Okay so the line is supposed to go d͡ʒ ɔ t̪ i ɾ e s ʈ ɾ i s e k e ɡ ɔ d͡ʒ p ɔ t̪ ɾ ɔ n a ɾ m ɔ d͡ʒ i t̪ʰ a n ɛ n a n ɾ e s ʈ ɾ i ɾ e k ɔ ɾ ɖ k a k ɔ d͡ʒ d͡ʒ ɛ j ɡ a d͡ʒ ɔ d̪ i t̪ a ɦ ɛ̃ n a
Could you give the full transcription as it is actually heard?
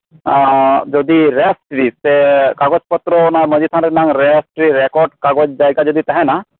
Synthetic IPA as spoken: d͡ʒ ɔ d̪ i ɾ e s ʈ ɾ i s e k a ɡ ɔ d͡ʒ p ɔ t̪ ɾ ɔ n a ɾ m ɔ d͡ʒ i t̪ʰ a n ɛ n a ŋ ɾ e s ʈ ɾ i ɾ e k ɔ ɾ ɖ k a ɡ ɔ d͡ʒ d͡ʒ a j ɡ a d͡ʒ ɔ d̪ i t̪ a ɦ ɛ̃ n a